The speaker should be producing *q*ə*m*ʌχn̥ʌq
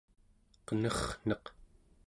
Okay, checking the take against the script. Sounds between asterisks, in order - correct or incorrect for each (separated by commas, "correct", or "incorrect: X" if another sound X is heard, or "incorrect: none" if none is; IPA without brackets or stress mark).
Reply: correct, incorrect: n